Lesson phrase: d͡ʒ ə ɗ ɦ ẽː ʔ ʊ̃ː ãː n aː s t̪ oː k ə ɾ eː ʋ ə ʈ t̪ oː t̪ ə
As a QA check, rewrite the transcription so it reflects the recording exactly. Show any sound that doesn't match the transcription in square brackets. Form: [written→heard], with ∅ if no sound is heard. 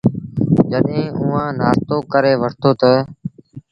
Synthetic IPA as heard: d͡ʒ ə ɗ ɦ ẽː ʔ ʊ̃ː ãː n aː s t̪ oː k ə ɾ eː ʋ ə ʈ t̪ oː t̪ ə